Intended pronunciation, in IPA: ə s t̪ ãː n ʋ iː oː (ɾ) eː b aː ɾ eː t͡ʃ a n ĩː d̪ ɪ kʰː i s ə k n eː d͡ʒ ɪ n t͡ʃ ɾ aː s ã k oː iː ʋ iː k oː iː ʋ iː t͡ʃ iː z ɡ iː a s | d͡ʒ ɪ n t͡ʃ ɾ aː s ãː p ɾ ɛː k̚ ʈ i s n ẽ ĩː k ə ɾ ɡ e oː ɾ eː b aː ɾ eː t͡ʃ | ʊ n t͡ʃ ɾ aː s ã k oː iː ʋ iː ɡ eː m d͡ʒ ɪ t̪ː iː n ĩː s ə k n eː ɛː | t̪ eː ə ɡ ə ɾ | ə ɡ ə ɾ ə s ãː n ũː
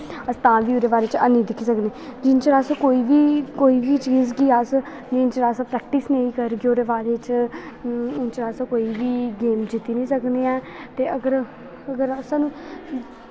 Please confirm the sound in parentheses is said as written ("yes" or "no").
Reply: yes